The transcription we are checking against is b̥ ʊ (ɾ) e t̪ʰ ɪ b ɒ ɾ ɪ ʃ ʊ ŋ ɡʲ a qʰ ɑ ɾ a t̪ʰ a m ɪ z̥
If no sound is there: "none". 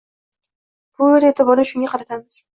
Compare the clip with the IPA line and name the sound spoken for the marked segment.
ɾ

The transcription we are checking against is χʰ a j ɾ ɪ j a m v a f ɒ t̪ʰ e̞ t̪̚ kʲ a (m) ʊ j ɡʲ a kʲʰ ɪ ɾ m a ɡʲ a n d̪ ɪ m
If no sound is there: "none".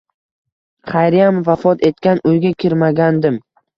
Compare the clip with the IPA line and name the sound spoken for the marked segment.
n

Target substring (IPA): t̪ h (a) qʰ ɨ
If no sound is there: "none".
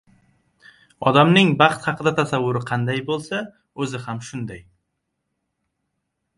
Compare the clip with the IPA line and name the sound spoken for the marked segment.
ɑ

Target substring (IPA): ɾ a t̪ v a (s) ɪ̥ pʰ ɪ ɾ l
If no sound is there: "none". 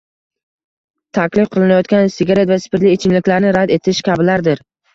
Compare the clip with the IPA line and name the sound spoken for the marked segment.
s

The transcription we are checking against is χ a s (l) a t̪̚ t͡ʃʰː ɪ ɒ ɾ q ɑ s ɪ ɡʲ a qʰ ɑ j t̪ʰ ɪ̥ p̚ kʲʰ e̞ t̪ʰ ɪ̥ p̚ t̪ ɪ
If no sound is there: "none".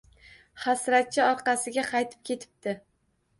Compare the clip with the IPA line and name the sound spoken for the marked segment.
ɾ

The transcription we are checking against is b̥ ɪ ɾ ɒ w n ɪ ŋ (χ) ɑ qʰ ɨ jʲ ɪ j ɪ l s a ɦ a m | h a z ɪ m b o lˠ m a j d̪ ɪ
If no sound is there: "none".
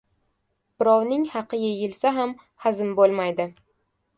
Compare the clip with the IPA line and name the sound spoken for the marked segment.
h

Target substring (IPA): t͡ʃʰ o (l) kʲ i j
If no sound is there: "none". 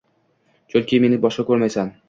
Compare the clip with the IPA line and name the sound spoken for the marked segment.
l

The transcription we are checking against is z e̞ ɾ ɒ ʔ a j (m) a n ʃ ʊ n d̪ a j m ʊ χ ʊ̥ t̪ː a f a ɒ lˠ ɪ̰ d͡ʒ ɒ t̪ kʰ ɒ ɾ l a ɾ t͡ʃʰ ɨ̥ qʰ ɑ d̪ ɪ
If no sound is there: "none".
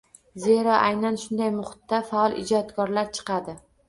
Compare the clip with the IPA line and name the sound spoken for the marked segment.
n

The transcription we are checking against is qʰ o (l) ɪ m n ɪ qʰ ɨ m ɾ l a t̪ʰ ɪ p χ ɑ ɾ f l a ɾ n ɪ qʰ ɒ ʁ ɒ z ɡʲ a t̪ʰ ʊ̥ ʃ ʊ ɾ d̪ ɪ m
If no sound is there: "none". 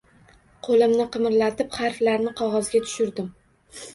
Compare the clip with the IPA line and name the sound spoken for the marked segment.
l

